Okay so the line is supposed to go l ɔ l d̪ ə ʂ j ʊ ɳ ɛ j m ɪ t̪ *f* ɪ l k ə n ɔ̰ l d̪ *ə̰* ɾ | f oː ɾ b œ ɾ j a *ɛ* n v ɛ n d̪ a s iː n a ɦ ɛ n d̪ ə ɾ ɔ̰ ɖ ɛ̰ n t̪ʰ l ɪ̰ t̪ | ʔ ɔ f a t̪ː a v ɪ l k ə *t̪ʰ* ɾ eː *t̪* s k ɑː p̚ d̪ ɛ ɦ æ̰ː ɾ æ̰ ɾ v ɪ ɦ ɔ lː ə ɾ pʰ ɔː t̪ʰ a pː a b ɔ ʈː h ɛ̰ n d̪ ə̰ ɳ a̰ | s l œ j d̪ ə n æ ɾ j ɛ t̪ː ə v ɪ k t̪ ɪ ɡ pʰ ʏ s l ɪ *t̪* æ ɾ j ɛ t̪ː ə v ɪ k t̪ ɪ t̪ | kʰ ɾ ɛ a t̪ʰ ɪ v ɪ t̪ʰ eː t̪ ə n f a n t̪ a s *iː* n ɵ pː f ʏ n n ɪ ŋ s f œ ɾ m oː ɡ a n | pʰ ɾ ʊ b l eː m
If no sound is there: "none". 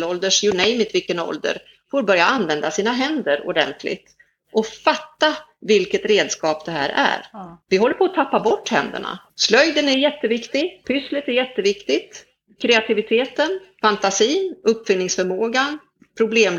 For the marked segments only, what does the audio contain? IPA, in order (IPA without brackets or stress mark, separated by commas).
v, ə̰, a, t̪, d̪, t̪, iː